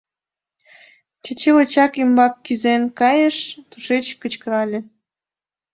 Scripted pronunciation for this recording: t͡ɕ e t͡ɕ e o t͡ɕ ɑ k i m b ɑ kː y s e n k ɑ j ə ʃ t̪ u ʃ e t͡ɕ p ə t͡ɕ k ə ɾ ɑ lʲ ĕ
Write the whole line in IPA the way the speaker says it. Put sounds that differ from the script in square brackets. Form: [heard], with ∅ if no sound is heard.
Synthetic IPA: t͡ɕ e t͡ɕ e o t͡ɕ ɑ k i m b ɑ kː y [z] e n k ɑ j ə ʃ t̪ u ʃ e t͡ɕ [k] ə t͡ɕ k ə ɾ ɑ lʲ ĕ

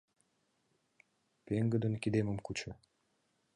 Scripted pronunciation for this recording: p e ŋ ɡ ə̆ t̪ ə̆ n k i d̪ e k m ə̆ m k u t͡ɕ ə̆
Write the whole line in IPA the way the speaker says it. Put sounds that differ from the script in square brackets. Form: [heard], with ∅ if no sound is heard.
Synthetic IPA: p e ŋ ɡ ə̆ [d̪] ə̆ n k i d̪ e [∅] m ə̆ m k u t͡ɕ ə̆

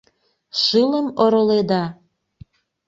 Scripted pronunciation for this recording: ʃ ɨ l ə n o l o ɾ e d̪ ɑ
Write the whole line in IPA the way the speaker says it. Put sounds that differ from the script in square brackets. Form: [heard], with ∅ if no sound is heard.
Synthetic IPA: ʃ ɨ l ə [m] o [ɾ] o [l] e d̪ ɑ

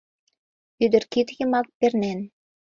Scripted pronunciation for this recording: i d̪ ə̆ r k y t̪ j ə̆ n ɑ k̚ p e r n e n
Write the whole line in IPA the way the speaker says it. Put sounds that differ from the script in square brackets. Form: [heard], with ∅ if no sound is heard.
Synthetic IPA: [y] d̪ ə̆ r k [i] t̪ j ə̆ [m] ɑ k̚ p e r n e n

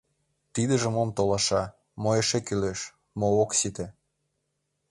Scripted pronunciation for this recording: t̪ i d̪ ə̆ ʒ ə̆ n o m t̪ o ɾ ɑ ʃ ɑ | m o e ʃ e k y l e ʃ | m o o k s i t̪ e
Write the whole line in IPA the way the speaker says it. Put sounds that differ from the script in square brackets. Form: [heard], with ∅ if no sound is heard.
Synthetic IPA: t̪ i d̪ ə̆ ʒ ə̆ [m] o m t̪ o [l] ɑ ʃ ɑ | m o e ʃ e k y l e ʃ | m o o k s i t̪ e

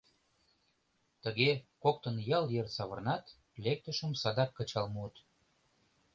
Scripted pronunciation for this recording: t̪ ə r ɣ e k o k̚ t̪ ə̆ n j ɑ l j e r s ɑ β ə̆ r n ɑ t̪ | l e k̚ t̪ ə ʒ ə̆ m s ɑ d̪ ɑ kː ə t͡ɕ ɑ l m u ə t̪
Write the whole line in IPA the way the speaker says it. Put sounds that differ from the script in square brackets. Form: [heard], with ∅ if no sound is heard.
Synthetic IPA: t̪ ə [∅] ɣ e k o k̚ t̪ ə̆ n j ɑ l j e r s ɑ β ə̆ r n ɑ t̪ | l e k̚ t̪ ə [ʃ] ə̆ m s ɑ d̪ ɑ kː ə t͡ɕ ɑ l m u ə t̪

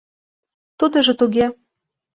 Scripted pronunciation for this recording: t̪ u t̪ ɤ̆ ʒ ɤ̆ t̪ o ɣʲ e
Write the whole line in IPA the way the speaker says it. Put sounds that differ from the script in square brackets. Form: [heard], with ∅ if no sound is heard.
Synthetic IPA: t̪ u [d̪] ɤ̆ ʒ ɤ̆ t̪ [u] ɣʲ e

